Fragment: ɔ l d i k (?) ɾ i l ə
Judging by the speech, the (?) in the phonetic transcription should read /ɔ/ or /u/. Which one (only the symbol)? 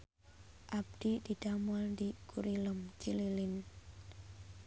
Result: u